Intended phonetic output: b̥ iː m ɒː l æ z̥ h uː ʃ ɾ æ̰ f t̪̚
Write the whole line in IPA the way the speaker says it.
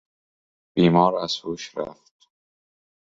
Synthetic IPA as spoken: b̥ iː m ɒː ɾ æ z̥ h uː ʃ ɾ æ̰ f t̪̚